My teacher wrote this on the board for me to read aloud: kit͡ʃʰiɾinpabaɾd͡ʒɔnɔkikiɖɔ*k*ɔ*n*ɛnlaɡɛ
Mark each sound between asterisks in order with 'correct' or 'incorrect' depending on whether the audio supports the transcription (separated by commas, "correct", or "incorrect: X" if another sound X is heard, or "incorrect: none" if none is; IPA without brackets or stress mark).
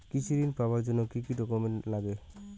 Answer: correct, incorrect: m